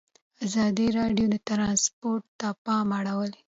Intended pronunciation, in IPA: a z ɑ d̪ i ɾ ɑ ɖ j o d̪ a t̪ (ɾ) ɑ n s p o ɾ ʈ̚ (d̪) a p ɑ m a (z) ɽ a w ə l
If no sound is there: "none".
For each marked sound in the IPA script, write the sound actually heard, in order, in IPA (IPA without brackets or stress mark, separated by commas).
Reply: ɾ, t̪, none